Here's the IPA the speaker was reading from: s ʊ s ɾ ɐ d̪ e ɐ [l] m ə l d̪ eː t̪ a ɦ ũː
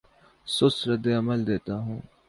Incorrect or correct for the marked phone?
incorrect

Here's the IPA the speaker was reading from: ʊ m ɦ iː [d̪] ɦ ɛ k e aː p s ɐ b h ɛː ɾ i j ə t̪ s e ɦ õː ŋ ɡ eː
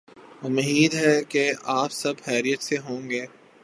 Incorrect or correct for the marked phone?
correct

